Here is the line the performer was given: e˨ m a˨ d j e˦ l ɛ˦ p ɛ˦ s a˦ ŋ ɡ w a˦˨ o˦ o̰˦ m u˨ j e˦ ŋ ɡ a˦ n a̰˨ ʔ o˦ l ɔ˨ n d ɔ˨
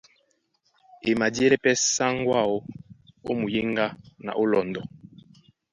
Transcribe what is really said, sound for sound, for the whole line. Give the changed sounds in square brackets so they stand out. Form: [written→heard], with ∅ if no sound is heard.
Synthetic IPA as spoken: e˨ m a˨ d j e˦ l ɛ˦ p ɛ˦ s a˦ ŋ ɡ w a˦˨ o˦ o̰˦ m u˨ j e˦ ŋ ɡ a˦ n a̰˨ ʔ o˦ l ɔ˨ n d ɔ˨